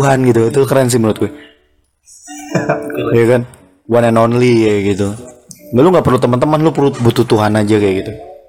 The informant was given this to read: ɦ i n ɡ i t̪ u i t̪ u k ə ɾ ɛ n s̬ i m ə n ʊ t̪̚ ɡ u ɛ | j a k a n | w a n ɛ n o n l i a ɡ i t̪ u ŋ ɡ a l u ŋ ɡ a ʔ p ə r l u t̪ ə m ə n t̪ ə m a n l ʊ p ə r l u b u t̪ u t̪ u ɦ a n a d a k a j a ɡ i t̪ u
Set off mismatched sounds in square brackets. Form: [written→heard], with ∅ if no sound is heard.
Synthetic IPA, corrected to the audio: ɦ [i→a] n ɡ i t̪ u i t̪ u k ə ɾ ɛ n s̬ i m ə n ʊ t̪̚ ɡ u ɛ | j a k a n | w a n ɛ n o n l i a ɡ i t̪ u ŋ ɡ a l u ŋ ɡ a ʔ p ə r l u t̪ ə m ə n t̪ ə m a n l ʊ p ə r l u b u t̪ u t̪ u ɦ a n a [d→d͡ʒ] a k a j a ɡ i t̪ u